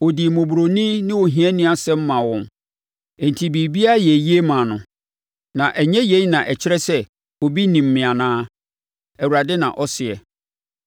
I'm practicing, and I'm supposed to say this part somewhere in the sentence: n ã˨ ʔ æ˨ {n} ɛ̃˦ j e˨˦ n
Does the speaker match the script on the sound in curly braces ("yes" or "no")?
no